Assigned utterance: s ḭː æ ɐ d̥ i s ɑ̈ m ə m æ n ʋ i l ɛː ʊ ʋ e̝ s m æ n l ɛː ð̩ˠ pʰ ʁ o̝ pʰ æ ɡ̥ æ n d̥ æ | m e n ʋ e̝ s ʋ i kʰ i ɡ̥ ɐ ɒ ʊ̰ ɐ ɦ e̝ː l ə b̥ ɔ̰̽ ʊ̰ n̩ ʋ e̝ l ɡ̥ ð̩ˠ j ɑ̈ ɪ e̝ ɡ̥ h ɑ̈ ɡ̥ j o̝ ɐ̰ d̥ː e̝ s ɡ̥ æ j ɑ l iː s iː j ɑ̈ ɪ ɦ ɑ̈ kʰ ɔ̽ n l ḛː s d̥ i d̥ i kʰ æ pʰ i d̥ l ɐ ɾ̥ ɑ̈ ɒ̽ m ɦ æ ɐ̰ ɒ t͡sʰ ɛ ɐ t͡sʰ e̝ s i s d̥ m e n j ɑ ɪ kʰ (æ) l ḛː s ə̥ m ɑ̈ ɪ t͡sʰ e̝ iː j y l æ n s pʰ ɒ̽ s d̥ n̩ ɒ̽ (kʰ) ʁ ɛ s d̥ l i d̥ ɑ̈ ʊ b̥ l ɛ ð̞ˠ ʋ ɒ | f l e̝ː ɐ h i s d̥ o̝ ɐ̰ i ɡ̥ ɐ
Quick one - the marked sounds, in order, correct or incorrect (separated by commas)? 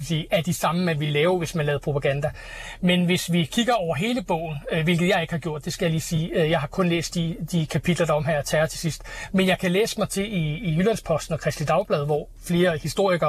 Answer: correct, correct